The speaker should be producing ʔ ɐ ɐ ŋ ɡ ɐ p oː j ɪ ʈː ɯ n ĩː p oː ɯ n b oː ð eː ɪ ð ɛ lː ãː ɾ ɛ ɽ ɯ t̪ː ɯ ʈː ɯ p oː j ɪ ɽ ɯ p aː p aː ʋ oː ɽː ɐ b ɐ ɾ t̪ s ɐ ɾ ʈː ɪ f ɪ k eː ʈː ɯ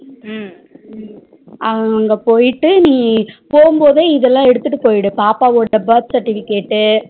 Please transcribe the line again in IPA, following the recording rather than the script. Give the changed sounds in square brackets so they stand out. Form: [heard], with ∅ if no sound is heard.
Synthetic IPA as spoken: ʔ ɐ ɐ ŋ ɡ ɐ p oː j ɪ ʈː ɯ n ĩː p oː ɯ [m] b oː ð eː ɪ ð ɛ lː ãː [∅] ɛ ɽ ɯ t̪ː ɯ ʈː ɯ p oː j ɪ ɽ ɯ p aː p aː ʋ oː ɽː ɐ b ɐ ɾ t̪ s ɐ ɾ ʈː ɪ f ɪ k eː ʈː ɯ